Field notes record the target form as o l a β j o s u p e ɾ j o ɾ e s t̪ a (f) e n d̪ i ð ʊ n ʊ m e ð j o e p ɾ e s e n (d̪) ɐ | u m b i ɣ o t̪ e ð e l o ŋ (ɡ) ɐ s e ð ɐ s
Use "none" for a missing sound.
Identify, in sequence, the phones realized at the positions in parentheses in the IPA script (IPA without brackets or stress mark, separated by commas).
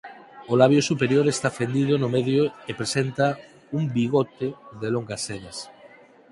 f, t̪, ɡ